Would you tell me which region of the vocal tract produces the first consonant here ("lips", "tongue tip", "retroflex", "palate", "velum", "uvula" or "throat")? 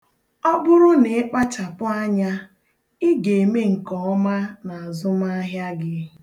lips